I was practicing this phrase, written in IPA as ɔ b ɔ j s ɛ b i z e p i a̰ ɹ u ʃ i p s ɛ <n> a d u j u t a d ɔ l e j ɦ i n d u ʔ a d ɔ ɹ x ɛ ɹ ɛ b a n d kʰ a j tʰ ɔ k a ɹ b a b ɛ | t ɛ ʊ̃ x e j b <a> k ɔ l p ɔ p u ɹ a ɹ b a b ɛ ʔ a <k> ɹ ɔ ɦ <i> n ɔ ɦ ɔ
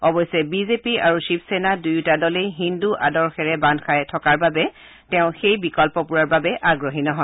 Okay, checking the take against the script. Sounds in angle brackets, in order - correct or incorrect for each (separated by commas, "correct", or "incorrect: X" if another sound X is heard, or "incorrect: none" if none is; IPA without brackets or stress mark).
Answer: correct, incorrect: i, incorrect: ɡ, correct